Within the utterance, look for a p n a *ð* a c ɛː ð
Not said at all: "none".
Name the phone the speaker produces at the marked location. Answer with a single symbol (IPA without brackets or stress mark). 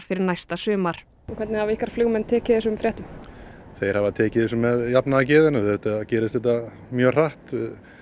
ð